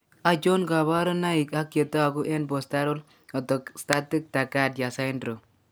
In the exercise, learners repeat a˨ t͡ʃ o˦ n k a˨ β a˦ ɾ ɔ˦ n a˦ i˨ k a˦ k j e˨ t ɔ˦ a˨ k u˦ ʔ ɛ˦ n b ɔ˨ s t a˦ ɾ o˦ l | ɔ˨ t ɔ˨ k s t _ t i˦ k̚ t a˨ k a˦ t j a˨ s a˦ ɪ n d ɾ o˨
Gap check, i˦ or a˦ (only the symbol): a˦